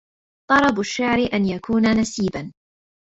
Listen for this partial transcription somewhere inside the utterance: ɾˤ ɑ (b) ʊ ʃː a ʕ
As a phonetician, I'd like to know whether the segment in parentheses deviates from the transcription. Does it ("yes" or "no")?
no